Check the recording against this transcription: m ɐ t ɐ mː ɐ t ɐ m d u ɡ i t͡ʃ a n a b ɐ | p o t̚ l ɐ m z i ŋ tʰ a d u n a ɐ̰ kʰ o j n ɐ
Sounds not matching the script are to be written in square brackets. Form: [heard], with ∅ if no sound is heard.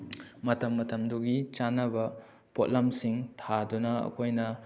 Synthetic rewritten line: m ɐ t ɐ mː ɐ t ɐ m d u ɡ i t͡ʃ a n [ɐ] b ɐ | p o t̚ l ɐ m [s] i ŋ tʰ a d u n [ɐ] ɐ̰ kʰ o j n ɐ